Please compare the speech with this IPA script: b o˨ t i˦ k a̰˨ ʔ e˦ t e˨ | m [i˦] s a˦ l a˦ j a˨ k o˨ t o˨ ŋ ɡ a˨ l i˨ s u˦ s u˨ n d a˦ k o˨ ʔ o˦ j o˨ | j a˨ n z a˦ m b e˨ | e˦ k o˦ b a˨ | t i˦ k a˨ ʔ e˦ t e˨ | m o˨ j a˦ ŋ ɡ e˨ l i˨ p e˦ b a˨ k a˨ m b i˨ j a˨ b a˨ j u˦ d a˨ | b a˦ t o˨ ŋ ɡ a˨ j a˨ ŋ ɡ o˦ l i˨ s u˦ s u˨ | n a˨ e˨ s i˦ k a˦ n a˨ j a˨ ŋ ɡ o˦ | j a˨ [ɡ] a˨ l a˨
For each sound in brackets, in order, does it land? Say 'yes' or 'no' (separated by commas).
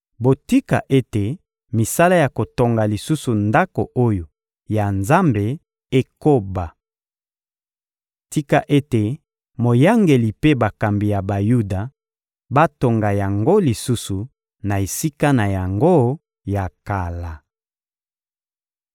no, no